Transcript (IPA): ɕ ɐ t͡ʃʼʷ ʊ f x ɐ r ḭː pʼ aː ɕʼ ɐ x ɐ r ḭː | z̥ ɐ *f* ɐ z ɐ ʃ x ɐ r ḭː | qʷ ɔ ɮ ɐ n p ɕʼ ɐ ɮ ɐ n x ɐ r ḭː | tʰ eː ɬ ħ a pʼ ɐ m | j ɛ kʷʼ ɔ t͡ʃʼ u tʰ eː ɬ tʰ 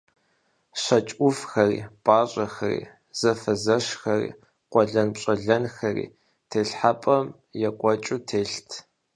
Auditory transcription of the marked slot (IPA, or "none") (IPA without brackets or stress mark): f